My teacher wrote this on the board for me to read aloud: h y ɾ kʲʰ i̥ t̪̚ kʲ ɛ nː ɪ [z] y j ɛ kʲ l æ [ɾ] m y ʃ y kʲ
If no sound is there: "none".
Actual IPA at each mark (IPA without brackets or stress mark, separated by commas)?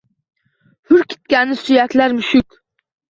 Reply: s, ɾ